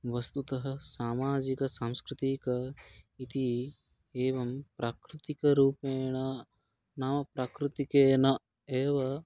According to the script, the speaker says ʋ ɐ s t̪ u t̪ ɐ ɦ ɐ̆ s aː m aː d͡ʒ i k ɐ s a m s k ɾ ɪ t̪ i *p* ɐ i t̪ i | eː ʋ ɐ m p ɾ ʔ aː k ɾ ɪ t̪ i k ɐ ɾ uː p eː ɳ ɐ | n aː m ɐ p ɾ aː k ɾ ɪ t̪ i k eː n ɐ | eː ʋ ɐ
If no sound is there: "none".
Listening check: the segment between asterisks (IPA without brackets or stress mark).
k